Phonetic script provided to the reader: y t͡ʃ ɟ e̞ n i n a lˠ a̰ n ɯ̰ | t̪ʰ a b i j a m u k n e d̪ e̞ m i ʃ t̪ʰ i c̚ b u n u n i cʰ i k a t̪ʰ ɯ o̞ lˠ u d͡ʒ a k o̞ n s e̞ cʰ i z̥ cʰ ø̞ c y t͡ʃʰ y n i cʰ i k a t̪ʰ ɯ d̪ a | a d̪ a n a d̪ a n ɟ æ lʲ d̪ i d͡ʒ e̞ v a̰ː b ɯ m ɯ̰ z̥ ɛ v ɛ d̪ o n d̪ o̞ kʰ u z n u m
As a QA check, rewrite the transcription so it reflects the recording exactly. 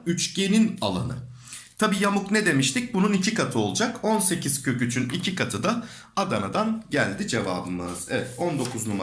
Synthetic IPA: y t͡ʃ ɟ e̞ n i n a lˠ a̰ n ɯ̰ | t̪ʰ a b iː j a m u k n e d̪ e̞ m i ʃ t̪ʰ i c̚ b u n u n i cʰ i k a t̪ʰ ɯ o̞ lˠ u d͡ʒ a k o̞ n s e̞ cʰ i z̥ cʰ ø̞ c y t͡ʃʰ y n i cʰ i k a t̪ʰ ɯ d̪ a | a d̪ a n a d̪ a n ɟ æ lʲ d̪ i d͡ʒ e̞ v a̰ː b ɯ m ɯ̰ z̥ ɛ v ɛ t̪ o n d̪ o̞ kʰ u z n u m